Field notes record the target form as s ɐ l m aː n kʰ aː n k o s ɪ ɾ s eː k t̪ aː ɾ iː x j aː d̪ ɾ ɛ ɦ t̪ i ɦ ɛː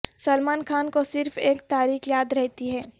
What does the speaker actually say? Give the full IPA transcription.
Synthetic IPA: s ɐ l m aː n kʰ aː n k o s ɪ ɾ f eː k t̪ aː ɾ iː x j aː d̪ ɾ ɛ ɦ t̪ i ɦ ɛː